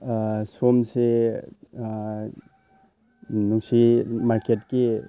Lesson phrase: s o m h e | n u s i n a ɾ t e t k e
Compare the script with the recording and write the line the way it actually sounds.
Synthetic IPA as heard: s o m s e | n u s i m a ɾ k e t k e